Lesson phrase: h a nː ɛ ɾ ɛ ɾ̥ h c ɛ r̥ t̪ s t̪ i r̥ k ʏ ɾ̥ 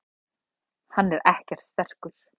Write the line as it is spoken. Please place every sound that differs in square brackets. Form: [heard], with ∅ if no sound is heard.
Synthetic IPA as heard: h a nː ɛ ɾ ɛ [∅] h c ɛ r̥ t̪ s t̪ [ɛ] r̥ k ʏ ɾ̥